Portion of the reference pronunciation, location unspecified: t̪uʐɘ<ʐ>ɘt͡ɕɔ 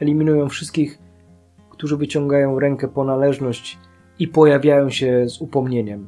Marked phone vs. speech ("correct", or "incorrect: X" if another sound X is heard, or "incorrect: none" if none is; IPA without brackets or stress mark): incorrect: v